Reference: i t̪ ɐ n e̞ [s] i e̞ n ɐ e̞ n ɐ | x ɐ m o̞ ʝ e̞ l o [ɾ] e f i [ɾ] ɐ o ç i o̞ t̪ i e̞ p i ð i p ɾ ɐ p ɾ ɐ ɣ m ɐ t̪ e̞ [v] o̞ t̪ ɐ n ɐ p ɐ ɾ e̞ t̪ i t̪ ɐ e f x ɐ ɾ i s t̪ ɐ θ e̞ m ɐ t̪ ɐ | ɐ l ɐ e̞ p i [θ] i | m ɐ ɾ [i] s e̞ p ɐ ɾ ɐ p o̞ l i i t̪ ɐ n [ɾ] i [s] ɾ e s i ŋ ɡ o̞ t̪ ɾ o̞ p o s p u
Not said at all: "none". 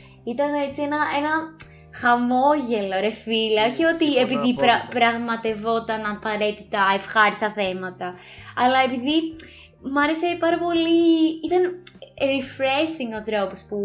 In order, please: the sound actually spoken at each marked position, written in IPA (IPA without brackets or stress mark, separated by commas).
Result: t͡s, ɾ, l, v, ð, e, ɾ, f